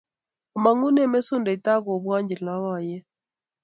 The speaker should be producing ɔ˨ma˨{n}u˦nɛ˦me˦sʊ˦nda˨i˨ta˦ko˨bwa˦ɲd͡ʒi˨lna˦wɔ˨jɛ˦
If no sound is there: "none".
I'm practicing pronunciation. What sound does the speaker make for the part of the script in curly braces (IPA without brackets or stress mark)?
ŋ